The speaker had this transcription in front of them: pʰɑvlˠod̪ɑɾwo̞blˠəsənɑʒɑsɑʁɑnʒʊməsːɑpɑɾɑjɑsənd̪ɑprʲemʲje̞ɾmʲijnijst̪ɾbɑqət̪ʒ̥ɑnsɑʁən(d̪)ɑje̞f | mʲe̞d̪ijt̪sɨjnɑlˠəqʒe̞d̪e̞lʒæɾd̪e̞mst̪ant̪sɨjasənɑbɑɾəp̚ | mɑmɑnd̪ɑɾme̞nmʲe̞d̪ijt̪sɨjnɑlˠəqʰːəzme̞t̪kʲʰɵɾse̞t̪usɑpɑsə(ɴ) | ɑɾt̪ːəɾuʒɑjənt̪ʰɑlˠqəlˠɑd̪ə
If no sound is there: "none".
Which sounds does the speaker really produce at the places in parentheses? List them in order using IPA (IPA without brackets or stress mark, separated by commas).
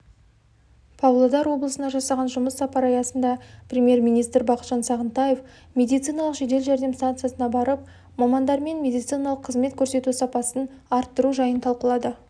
t̪, n